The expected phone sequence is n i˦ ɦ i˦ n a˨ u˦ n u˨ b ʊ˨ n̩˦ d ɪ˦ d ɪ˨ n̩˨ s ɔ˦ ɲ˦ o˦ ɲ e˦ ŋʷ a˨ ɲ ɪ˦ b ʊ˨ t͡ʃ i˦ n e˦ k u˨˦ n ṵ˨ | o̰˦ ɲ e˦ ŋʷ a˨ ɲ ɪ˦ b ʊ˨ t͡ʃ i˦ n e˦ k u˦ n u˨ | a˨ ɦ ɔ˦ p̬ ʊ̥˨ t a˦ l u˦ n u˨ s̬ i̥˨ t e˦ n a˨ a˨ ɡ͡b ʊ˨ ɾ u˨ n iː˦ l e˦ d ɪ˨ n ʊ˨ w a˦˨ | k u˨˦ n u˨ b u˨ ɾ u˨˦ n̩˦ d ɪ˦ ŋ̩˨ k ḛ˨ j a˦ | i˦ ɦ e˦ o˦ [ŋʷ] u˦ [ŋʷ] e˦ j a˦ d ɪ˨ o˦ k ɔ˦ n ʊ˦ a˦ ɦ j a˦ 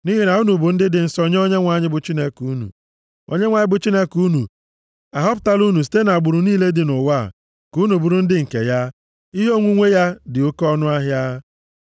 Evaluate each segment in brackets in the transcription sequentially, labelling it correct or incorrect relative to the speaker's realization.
correct, correct

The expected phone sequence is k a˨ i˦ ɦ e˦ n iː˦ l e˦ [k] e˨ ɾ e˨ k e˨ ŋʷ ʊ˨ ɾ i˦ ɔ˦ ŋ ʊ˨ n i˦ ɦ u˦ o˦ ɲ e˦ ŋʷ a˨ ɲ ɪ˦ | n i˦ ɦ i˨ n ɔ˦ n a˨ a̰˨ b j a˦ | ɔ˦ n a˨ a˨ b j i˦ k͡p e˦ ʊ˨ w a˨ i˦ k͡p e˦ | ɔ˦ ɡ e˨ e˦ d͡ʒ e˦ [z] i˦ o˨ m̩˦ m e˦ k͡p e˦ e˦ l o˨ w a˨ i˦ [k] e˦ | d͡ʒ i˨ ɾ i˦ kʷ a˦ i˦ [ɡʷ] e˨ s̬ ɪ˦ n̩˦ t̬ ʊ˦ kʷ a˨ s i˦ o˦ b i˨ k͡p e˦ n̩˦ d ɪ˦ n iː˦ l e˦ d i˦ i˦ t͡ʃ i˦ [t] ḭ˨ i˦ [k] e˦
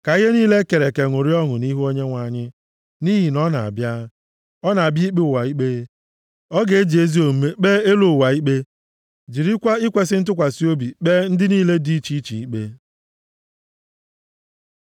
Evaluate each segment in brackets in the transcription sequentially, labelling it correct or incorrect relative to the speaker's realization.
correct, correct, incorrect: k͡p, incorrect: kʷ, incorrect: t͡ʃ, incorrect: k͡p

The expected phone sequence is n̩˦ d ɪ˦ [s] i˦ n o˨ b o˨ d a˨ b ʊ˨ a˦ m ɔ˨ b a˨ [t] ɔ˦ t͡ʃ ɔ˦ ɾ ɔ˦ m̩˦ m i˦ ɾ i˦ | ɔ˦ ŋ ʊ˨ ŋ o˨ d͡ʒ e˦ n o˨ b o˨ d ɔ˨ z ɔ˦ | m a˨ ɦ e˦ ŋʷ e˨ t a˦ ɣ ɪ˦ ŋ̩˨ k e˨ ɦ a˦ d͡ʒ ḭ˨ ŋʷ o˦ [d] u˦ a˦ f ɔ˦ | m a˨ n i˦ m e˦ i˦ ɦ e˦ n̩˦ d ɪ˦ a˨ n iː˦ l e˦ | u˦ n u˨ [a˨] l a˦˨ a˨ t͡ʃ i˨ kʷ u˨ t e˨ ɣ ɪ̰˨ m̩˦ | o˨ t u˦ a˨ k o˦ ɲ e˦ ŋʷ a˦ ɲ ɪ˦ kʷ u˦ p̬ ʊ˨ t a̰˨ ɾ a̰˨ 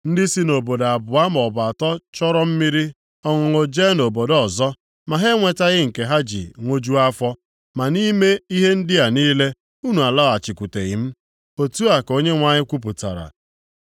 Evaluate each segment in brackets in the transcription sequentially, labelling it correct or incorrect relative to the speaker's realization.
correct, correct, incorrect: d͡ʒ, correct

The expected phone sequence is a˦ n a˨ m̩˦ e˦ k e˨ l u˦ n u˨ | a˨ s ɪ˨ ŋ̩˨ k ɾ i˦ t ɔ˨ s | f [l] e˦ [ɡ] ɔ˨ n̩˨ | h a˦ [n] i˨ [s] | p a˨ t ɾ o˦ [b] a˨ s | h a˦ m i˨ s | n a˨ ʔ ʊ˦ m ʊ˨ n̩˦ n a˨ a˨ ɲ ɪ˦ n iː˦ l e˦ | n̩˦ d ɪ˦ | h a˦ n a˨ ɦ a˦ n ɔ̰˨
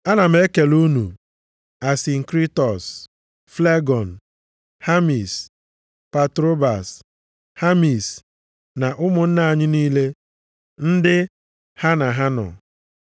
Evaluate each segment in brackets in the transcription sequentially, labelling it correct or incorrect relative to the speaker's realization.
correct, correct, incorrect: m, correct, correct

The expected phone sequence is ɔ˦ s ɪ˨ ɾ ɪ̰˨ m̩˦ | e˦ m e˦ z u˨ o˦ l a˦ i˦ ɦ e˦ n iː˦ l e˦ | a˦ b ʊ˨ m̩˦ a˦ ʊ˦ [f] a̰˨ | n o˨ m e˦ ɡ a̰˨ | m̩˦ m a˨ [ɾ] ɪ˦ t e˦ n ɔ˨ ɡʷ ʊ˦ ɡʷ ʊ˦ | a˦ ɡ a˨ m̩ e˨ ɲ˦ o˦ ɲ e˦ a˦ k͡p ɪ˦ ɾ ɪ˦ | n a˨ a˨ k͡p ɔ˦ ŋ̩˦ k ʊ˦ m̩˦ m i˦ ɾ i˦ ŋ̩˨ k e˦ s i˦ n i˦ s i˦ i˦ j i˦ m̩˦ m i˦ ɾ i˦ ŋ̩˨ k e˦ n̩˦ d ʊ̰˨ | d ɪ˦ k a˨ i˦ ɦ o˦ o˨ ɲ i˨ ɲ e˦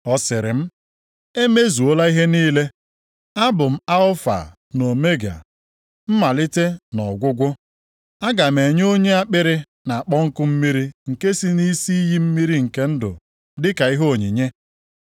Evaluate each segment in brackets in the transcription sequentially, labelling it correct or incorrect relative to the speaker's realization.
correct, incorrect: l

